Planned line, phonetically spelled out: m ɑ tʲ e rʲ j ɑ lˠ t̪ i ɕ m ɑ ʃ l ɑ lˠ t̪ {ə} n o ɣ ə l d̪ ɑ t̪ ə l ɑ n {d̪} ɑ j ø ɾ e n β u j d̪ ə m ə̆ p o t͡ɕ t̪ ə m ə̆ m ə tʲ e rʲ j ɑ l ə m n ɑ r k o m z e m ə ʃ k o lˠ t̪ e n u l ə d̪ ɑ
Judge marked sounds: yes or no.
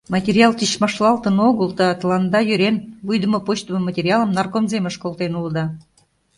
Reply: yes, yes

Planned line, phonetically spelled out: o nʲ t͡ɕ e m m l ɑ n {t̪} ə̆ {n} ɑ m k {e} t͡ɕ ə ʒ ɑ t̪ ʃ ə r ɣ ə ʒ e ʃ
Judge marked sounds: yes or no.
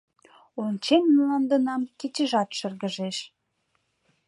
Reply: no, yes, yes

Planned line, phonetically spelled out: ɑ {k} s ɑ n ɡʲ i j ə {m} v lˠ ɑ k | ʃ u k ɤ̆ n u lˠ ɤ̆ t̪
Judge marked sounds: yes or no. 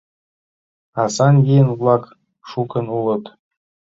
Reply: no, no

